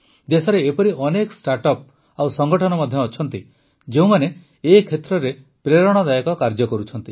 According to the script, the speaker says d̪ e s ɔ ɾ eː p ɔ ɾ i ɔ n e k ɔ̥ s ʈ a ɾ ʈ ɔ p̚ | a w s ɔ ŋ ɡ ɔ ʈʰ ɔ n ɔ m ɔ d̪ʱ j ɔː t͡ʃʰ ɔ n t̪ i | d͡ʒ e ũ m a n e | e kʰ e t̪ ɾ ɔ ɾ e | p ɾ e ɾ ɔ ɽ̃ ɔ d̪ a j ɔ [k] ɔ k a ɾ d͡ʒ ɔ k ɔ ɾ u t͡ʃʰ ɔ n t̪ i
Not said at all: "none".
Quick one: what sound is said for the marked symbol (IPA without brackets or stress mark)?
k